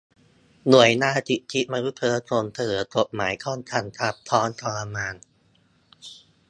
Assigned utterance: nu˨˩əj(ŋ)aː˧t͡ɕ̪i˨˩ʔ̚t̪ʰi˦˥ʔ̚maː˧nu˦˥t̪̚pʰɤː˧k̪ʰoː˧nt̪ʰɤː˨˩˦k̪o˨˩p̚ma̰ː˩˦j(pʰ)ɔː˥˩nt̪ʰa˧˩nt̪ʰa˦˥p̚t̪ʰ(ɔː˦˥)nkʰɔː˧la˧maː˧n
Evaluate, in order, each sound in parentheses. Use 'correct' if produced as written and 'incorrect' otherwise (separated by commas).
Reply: incorrect, incorrect, correct